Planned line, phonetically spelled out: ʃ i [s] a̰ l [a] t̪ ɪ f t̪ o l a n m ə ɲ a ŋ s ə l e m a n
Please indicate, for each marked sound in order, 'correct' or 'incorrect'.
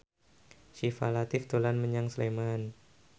incorrect: f, correct

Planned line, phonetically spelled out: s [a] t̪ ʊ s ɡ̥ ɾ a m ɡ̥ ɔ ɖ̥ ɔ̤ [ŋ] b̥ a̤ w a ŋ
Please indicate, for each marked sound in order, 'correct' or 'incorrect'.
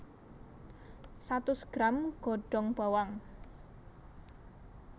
correct, correct

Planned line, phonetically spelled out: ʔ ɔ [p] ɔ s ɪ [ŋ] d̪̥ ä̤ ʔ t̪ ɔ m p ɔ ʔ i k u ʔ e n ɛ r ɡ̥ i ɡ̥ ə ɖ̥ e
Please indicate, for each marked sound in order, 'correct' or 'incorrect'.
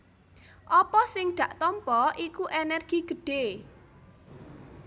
correct, correct

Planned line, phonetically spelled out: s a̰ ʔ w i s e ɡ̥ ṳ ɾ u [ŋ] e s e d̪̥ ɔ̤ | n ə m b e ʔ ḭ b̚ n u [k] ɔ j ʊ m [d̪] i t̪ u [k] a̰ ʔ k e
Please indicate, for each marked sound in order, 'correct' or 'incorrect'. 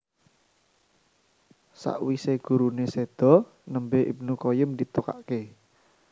incorrect: n, correct, correct, correct

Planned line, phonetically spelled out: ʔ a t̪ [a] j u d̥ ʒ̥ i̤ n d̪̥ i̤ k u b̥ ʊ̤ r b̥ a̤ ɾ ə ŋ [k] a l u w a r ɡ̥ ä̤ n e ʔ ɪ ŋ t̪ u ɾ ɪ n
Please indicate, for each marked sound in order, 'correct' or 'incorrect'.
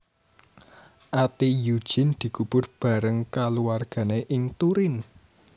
incorrect: i, correct

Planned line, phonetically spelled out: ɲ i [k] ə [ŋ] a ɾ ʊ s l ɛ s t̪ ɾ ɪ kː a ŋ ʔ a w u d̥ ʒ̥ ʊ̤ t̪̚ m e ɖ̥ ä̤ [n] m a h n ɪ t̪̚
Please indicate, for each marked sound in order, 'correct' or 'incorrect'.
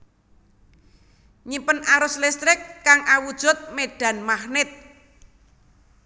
incorrect: p, incorrect: n, correct

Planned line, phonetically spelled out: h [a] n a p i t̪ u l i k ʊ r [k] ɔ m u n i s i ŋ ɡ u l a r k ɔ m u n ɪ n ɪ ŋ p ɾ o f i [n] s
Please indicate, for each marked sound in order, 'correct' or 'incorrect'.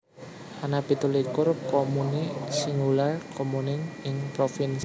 correct, correct, correct

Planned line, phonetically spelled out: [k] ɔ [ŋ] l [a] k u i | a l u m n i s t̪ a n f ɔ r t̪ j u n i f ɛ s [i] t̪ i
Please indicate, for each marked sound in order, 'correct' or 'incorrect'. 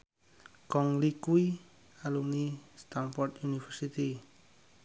correct, correct, incorrect: i, correct

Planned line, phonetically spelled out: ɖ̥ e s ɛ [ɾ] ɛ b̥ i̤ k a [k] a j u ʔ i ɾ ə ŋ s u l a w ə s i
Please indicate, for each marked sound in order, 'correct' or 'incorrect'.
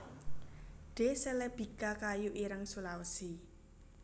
incorrect: l, correct

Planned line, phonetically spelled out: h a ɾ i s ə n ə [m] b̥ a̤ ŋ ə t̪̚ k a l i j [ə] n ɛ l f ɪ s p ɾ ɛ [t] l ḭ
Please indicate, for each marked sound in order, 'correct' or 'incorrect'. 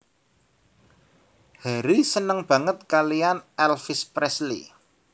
incorrect: ŋ, incorrect: a, incorrect: s

